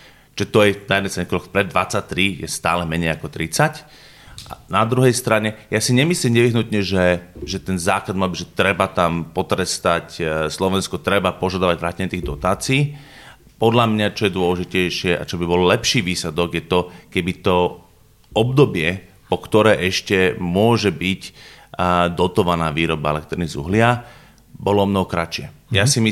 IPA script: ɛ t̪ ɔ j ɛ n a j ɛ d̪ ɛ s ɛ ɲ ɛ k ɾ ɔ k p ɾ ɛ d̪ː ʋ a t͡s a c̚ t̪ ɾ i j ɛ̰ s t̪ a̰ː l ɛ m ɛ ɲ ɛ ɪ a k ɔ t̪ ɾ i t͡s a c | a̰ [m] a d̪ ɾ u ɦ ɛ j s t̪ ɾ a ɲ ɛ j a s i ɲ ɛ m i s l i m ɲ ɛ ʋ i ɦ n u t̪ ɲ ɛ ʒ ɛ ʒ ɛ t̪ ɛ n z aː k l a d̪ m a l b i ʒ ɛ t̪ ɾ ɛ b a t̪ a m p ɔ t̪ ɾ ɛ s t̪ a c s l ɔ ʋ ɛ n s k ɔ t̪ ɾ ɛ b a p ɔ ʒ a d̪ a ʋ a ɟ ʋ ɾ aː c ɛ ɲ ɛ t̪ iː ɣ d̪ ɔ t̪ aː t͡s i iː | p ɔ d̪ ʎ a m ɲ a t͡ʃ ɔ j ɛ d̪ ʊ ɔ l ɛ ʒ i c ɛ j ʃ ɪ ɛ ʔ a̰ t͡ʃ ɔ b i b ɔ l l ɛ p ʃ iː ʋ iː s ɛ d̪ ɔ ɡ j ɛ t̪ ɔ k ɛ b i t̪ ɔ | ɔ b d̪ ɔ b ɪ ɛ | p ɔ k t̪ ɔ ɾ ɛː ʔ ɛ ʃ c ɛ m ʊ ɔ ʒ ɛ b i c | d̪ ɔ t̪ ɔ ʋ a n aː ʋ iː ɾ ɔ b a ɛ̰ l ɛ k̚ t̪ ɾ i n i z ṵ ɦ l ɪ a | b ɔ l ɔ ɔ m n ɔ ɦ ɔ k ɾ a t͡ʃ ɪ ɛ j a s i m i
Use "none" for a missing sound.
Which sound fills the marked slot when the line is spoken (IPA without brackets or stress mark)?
n